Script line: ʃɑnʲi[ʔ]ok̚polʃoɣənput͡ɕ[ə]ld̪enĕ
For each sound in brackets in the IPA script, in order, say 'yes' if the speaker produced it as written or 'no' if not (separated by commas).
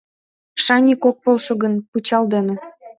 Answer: no, no